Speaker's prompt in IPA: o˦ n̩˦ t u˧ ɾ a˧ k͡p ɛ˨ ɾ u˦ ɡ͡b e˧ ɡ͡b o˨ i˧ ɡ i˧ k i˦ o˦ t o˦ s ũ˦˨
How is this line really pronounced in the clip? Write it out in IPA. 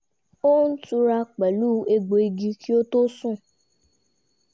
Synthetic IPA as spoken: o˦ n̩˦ t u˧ ɾ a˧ k͡p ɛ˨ l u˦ e˧ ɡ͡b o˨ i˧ ɡ i˧ k i˦ o˦ t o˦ s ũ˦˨